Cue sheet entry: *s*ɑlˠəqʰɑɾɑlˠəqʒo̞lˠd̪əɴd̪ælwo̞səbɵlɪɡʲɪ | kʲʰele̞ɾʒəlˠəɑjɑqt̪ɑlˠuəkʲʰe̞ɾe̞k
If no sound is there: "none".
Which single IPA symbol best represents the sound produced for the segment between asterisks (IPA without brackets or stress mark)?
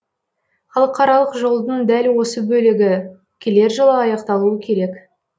χ